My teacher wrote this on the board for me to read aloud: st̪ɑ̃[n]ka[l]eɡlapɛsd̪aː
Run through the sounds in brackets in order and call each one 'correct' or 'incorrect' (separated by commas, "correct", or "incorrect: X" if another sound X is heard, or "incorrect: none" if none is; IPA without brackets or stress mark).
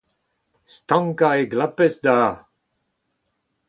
incorrect: ŋ, incorrect: none